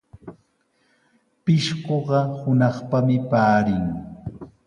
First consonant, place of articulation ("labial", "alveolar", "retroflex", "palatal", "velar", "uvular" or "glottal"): labial